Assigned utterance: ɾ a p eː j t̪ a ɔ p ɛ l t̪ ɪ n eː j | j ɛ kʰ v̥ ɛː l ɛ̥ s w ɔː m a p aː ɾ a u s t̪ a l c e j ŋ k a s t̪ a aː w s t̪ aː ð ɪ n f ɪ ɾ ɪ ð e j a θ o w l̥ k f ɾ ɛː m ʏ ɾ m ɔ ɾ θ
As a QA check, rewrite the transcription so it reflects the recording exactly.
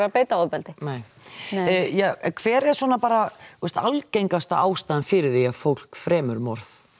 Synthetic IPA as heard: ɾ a p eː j t̪ a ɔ p ɛ l t̪ ɪ n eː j | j ɛ kʰ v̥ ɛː ɾ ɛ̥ s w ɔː n a p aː ɾ a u s t̪ a l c e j ŋ k a s t̪ a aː w s t̪ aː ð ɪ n f ɪ ɾ ɪ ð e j a f o w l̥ k f ɾ ɛː m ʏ ɾ m ɔ ɾ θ